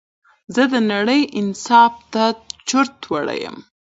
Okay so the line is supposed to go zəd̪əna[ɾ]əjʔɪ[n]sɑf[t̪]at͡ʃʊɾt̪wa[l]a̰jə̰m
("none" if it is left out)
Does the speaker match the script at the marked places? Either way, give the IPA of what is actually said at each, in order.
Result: ɽ, n, t̪, ɽ

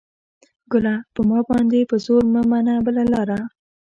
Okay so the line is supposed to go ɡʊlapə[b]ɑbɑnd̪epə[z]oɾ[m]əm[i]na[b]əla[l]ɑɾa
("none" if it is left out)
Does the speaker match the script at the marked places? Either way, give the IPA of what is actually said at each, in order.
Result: m, z, m, a, b, l

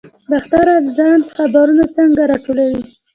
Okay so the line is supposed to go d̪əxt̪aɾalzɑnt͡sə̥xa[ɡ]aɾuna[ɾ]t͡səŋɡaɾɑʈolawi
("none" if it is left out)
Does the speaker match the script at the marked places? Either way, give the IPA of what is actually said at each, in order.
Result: b, none

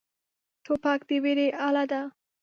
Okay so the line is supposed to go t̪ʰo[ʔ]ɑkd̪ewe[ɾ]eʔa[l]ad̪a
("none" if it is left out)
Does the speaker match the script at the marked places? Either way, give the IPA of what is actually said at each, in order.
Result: p, ɾ, l

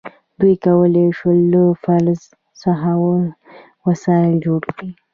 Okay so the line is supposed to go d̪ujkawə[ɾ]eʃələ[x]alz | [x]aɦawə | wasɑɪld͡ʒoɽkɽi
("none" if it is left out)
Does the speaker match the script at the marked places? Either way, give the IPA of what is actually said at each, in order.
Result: l, f, s

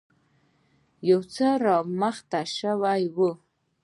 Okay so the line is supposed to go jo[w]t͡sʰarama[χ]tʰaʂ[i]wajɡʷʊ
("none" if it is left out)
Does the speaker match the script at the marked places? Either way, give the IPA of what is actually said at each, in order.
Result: w, χ, a

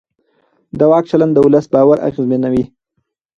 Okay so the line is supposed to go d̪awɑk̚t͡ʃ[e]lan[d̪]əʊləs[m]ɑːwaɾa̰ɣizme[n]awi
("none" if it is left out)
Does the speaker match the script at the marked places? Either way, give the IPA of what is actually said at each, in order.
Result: a, d̪, b, n

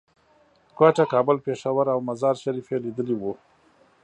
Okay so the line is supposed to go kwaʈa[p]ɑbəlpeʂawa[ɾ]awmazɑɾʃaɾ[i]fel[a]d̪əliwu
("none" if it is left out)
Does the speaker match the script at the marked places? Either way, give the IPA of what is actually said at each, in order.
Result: k, ɾ, i, i

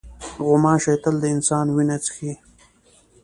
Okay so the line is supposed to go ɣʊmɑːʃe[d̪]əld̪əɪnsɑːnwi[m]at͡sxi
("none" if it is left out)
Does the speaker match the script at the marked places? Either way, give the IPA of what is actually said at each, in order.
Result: t̪, n

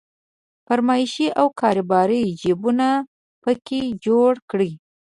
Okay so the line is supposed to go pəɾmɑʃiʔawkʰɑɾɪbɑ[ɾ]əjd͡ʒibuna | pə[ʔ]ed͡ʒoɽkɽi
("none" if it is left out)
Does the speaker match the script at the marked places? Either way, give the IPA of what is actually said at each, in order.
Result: ɾ, k

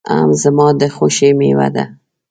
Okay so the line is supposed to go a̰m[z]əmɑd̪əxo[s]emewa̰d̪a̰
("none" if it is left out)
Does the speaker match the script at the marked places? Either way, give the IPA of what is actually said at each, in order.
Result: z, ʃ

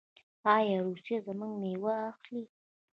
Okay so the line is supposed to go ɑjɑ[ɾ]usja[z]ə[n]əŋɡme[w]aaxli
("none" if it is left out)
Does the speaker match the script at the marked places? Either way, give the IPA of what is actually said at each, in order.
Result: ɾ, z, m, w

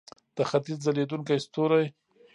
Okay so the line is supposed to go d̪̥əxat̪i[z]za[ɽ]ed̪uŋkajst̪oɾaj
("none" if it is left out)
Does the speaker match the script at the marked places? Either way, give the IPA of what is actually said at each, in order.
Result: z, l

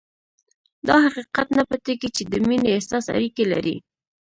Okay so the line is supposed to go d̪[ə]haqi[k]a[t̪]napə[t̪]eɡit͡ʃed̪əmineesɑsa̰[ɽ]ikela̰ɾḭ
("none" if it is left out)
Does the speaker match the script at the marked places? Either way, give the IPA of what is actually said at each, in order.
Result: ɑ, q, t̪, t̪, ɾ

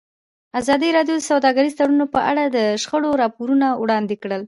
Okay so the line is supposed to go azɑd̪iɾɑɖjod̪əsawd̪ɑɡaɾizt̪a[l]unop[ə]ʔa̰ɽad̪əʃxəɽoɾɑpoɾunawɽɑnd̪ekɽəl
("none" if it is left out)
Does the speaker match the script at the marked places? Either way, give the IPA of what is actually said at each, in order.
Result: ɽ, ə

